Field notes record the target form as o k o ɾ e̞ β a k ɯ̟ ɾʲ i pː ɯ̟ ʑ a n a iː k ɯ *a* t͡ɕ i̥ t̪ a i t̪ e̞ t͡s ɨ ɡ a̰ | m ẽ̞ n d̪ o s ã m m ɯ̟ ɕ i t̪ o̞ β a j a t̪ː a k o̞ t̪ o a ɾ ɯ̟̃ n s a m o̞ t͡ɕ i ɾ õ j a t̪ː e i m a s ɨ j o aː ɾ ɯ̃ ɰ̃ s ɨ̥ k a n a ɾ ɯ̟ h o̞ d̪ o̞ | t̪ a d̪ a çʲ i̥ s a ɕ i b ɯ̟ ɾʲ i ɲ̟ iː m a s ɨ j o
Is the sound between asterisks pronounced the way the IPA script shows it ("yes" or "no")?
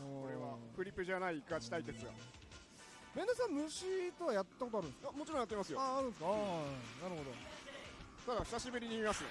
yes